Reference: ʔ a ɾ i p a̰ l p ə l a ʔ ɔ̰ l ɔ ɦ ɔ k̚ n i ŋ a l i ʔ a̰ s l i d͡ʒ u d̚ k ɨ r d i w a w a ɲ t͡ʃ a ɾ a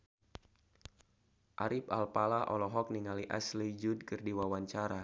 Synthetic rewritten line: ʔ a ɾ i p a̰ l p a l a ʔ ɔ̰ l ɔ ɦ ɔ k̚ n i ŋ a l i ʔ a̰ s l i d͡ʒ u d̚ k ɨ r d i w a w a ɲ t͡ʃ a ɾ a